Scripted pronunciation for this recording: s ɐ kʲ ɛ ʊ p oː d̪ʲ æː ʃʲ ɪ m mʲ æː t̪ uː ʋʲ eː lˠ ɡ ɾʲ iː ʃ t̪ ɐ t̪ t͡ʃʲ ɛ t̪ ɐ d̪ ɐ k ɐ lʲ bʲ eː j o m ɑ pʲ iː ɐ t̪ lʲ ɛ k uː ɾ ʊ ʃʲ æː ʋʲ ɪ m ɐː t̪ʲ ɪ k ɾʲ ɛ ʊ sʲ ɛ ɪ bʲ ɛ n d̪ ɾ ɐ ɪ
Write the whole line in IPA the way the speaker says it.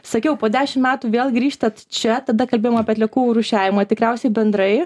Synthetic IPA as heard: s ɐ kʲ ɛ ʊ p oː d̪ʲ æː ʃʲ ɪ m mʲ æː t̪ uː ʋʲ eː lˠ ɡ ɾʲ iː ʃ t̪ ɐ t̪ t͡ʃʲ ɛ t̪ ɐ d̪ ɐ k ɐ lʲ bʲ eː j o m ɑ pʲ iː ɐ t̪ lʲ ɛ k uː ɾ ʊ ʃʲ æː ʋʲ ɪ m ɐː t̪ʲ ɪ k ɾʲ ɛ ʊ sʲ ɛ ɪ bʲ ɛ n d̪ ɾ ɐ ɪ

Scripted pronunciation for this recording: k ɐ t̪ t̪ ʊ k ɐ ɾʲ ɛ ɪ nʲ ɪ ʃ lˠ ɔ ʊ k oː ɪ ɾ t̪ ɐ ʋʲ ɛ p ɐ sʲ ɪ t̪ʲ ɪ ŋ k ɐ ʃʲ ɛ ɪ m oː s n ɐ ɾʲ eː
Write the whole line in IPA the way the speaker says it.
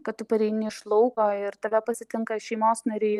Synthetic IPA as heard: k ɐ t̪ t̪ ʊ p ɐ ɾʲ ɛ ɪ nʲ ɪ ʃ lˠ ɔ ʊ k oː ɪ ɾ t̪ ɐ ʋʲ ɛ p ɐ sʲ ɪ t̪ʲ ɪ ŋ k ɐ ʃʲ ɛ ɪ m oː s n ɐ ɾʲ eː

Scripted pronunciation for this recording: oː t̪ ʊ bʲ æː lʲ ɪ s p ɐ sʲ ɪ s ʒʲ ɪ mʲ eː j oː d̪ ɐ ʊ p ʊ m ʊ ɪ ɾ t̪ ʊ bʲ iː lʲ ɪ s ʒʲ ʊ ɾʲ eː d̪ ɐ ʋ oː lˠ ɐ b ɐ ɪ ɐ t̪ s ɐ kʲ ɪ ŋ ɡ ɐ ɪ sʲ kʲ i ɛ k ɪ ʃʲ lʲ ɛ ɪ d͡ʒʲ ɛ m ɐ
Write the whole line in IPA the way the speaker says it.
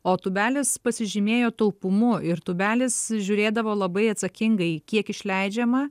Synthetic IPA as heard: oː t̪ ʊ bʲ æː lʲ ɪ s p ɐ sʲ ɪ ʒʲ ɪ mʲ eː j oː t̪ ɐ ʊ p ʊ m ʊ ɪ ɾ t̪ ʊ bʲ æː lʲ ɪ s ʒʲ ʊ ɾʲ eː d̪ ɐ ʋ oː lˠ ɐ b ɐ ɪ ɐ t̪ s ɐ kʲ ɪ ŋ ɡ ɐ ɪ kʲ i ɛ k ɪ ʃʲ lʲ ɛ ɪ d͡ʒʲ ɛ m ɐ

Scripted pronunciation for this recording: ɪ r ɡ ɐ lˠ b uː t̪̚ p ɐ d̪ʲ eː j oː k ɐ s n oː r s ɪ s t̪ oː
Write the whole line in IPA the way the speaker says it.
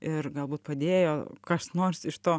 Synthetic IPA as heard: ɪ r ɡ ɐ lˠ b uː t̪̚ p ɐ d̪ʲ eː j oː k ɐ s n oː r s ɪ ʃ t̪ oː

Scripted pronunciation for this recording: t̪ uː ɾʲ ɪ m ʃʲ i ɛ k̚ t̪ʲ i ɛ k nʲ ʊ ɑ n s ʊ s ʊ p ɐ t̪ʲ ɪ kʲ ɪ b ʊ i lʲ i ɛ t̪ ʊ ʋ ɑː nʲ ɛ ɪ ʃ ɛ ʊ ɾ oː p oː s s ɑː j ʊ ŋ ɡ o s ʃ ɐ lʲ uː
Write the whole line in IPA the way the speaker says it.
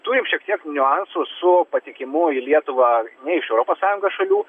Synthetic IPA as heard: t̪ uː ɾʲ ɪ m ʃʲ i ɛ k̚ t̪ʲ i ɛ k nʲ ʊ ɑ n s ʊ s ʊ p ɐ t̪ʲ ɪ kʲ ɪ m ʊ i lʲ i ɛ t̪ ʊ ʋ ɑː nʲ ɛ ɪ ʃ ɛ ʊ ɾ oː p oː s s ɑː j ʊ ŋ ɡ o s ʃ ɐ lʲ uː

